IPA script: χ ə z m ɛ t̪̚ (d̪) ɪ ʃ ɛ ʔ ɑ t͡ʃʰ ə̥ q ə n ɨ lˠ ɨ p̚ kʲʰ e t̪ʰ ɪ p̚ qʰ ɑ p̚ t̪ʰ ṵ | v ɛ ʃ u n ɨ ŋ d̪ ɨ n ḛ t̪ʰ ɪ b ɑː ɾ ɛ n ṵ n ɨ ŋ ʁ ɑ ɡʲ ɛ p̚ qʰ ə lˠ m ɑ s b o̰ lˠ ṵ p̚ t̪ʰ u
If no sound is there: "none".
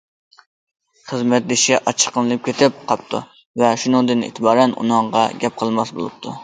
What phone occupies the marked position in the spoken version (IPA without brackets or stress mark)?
d̪